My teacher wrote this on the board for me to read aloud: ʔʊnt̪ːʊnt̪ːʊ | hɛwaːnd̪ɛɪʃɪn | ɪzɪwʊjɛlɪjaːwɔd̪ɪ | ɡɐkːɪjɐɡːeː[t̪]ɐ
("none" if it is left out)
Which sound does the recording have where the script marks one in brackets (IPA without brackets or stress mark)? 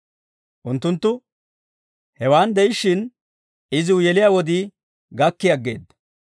d̪